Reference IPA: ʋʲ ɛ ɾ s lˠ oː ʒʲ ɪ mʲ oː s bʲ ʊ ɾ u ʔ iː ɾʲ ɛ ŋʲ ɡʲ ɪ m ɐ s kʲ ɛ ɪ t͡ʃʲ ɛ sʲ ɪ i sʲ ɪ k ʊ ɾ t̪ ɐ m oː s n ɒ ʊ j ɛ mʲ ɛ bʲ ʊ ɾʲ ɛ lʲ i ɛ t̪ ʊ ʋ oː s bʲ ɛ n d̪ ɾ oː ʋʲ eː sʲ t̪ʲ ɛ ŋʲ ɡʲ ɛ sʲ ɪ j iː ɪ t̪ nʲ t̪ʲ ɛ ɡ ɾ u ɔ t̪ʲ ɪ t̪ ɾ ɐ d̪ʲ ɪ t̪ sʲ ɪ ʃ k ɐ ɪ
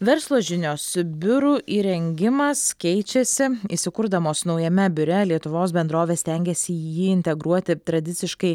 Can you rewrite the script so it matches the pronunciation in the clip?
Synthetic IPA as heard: ʋʲ ɛ ɾ s lˠ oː ʒʲ ɪ nʲ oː s bʲ ʊ ɾ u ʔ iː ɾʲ ɛ ŋʲ ɡʲ ɪ m ɐ s kʲ ɛ ɪ t͡ʃʲ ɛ sʲ ɪ i sʲ ɪ k ʊ ɾ d̪ ɐ m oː s n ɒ ʊ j ɛ mʲ ɛ bʲ ʊ ɾʲ ɛ lʲ i ɛ t̪ ʊ ʋ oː s bʲ ɛ n d̪ ɾ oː ʋʲ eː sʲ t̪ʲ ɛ ŋʲ ɡʲ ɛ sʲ ɪ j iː ɪ nʲ t̪ʲ ɛ ɡ ɾ u ɔ t̪ʲ ɪ t̪ ɾ ɐ d̪ʲ ɪ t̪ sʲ ɪ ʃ k ɐ ɪ